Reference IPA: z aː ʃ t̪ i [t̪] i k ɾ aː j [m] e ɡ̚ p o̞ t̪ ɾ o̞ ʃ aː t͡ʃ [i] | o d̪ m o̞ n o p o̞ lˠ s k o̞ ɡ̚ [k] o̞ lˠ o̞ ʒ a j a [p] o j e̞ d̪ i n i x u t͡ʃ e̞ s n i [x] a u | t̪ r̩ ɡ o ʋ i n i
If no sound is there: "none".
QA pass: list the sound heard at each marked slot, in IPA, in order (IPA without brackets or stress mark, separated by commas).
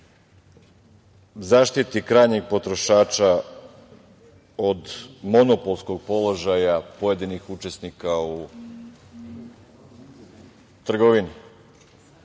t̪, ɲ, a, p, p, k